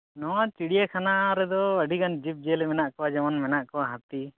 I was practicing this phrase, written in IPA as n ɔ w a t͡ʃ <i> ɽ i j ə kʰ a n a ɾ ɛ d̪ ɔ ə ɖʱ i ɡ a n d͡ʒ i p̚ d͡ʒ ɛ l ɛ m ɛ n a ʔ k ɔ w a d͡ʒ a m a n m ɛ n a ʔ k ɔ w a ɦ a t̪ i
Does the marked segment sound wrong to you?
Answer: no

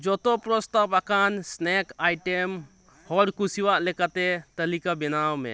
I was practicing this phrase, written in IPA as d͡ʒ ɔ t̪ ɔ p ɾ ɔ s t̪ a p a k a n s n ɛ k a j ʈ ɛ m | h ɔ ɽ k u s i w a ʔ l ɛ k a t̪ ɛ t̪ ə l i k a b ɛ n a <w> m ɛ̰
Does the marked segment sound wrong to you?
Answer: no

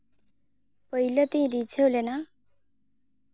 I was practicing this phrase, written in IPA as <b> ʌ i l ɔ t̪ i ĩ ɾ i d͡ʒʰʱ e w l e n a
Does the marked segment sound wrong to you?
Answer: yes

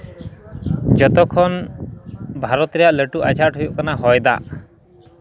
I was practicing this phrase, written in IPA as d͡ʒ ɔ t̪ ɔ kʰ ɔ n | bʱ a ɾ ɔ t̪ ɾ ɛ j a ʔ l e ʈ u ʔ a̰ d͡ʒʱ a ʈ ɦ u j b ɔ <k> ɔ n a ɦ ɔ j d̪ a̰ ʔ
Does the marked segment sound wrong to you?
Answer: no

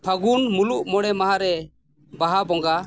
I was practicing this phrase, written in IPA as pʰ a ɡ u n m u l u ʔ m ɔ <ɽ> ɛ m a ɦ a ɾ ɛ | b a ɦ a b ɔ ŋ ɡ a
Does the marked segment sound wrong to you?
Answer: no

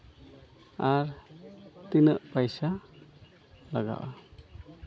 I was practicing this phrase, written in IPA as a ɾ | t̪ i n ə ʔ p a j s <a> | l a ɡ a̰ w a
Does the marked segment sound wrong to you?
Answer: no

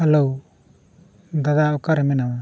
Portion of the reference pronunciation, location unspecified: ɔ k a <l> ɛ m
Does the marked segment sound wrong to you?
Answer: yes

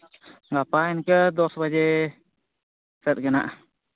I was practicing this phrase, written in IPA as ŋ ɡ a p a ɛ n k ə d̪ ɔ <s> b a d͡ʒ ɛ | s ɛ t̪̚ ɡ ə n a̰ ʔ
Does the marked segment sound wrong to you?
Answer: no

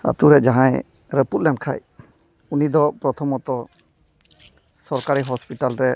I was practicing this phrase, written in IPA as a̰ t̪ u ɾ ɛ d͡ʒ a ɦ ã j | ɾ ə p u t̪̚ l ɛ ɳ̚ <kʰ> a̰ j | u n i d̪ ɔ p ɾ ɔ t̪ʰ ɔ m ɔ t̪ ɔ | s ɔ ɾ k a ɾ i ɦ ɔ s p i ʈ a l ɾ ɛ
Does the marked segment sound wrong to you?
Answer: no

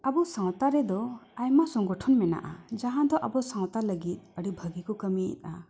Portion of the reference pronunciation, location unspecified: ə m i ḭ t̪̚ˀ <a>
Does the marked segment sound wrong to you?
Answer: no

